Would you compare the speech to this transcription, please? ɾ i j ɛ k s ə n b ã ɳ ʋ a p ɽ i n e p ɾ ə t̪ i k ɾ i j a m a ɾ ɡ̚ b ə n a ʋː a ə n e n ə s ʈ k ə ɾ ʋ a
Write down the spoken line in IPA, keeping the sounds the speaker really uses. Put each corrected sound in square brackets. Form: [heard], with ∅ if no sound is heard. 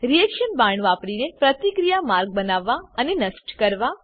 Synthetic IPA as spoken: ɾ i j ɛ k [ʃ] ə n b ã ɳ ʋ a p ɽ i n e p ɾ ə t̪ i k ɾ i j a m a ɾ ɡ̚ b ə n a ʋː a ə n e n ə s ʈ k ə ɾ ʋ a